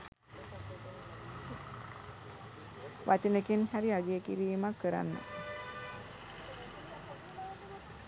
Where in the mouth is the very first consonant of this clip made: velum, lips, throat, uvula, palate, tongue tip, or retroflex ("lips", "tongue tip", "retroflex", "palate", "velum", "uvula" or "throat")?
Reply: lips